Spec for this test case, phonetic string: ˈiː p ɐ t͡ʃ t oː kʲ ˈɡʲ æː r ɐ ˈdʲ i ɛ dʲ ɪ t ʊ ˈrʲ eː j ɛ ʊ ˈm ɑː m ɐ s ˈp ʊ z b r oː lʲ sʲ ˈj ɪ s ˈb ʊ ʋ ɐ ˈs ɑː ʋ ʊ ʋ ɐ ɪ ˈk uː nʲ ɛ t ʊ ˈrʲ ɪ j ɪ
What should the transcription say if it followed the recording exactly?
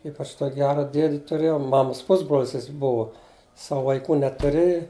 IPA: ˈiː p ɐ t͡ʃ t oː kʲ ˈɡʲ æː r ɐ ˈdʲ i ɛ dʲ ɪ t ʊ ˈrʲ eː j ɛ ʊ ˈm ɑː m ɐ s ˈp ʊ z b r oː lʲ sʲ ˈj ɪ s ˈb ʊ ʋ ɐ ˈs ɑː ʋ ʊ ʋ ɐ ɪ ˈk uː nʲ ɛ t ʊ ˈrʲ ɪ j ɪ